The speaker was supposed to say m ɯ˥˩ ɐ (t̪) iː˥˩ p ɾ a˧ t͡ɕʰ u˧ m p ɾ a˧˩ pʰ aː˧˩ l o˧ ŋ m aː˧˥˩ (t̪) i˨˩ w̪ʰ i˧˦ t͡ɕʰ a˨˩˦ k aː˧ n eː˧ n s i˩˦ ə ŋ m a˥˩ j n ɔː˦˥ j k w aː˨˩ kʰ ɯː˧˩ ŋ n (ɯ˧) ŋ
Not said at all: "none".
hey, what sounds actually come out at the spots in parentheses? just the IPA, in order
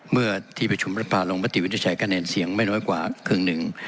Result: t̪ʰ, t̪, ɯ˨˩

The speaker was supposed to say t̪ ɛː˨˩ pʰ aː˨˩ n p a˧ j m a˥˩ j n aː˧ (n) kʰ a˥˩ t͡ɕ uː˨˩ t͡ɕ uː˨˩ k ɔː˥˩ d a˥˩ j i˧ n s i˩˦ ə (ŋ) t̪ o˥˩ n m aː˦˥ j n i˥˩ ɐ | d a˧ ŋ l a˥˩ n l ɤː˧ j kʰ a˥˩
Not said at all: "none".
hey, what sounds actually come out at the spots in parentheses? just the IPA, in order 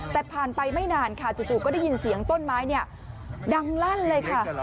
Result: n, ŋ

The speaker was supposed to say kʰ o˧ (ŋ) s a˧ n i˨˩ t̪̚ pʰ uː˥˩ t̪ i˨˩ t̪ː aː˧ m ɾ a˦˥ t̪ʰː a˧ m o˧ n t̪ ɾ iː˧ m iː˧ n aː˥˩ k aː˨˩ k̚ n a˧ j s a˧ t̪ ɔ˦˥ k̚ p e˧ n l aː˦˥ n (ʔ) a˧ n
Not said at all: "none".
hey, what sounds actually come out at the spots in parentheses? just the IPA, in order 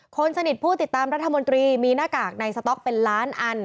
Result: n, ʔ

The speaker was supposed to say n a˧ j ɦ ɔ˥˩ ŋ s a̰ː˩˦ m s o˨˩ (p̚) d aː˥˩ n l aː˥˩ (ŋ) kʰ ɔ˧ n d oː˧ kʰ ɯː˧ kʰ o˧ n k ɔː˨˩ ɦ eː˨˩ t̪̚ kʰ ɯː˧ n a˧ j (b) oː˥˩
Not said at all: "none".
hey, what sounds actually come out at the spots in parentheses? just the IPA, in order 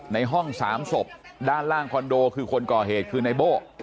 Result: p̚, ŋ, b

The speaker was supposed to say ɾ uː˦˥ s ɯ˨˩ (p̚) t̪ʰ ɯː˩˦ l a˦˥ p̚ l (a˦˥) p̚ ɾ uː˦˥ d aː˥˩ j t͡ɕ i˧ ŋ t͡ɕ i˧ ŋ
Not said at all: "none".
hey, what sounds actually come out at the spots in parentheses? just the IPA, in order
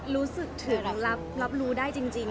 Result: k̚, a˦˥

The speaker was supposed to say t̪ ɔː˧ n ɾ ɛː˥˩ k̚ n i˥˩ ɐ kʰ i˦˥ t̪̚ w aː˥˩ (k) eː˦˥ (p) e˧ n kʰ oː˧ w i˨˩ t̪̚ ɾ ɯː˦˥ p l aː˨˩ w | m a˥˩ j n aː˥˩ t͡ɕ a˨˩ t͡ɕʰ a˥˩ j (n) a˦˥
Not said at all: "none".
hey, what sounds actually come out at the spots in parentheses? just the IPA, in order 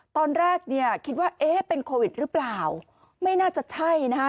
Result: ʔ, p, n

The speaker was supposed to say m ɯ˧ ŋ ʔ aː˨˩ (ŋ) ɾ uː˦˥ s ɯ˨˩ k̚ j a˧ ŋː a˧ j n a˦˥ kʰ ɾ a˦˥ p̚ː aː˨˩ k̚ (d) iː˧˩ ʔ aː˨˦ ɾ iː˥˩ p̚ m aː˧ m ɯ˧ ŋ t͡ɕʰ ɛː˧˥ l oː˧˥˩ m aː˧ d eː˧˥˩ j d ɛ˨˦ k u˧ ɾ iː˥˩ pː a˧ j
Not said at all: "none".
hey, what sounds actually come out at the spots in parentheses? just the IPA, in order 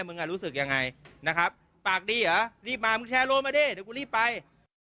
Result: none, d

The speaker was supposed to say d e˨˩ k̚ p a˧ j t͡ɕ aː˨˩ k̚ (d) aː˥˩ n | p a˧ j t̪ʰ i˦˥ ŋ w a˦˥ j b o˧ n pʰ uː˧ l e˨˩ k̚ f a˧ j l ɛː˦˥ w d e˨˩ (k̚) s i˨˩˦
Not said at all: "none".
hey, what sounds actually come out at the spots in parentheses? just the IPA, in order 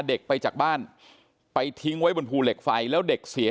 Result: b, k̚

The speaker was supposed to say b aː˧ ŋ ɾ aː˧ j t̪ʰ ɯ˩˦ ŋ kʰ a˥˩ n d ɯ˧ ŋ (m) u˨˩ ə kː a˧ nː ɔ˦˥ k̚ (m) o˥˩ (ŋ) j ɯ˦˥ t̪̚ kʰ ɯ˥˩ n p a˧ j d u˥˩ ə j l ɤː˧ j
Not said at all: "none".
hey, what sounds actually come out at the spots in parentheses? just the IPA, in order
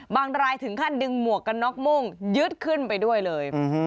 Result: m, m, ŋ

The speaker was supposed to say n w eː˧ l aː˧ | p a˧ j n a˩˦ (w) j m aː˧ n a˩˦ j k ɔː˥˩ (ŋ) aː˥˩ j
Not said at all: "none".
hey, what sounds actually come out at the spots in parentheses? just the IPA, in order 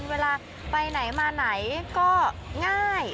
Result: none, ŋ

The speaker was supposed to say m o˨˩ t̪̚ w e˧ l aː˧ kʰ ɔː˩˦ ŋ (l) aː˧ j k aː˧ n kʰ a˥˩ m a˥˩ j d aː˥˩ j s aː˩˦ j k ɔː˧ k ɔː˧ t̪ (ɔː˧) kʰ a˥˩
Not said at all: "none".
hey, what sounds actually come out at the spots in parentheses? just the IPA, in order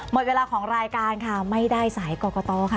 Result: ɾ, ɔː˧

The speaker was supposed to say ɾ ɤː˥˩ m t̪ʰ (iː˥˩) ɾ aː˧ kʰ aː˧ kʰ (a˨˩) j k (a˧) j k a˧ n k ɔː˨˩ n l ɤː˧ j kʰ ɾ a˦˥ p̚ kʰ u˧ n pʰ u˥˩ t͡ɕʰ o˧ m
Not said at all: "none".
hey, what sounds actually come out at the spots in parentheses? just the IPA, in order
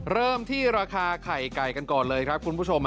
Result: iː˥˩, a˨˩, a˨˩

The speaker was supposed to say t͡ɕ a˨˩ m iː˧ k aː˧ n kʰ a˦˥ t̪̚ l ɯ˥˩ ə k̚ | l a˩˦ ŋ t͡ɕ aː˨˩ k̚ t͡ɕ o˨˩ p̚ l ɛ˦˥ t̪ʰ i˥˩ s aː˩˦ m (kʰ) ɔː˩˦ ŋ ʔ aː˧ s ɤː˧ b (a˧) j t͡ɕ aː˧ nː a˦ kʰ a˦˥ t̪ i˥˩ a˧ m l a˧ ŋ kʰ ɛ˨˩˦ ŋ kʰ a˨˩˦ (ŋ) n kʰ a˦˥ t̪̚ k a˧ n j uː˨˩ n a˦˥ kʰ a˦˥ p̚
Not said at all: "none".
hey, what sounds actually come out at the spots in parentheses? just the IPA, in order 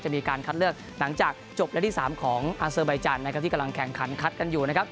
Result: kʰ, a˧, none

